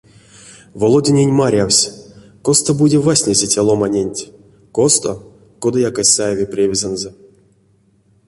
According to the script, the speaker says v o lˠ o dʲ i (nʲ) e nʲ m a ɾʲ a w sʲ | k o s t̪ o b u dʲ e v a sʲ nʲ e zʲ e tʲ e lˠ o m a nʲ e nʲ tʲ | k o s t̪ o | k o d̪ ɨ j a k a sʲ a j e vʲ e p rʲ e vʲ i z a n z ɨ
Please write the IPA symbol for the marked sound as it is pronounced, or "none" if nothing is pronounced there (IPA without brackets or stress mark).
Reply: nʲ